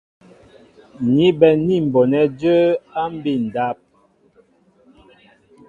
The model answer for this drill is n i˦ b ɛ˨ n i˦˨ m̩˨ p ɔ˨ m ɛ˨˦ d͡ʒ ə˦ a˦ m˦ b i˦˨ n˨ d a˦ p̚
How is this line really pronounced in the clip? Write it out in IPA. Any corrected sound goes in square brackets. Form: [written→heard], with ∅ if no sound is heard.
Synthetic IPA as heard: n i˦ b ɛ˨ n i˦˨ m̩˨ [p→b] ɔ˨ [m→n] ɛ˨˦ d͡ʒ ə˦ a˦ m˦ b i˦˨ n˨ d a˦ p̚